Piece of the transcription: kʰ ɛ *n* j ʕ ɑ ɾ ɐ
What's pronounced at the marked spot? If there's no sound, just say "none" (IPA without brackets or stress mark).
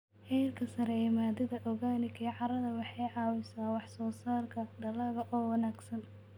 none